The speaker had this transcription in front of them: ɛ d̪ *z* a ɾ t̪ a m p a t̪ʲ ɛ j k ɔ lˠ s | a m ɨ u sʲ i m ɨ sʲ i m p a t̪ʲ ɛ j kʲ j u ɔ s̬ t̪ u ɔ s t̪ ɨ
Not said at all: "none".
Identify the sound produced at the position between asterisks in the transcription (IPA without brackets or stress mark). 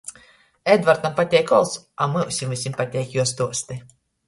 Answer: v